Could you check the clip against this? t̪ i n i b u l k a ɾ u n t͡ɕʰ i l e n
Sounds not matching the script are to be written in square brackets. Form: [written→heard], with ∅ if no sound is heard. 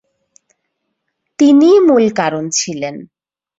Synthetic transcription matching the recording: t̪ i n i [b→m] u l k a ɾ [u→o] n t͡ɕʰ i l e n